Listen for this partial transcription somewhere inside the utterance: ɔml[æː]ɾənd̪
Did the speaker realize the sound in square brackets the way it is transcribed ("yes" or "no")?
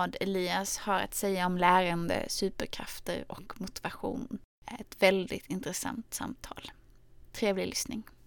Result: yes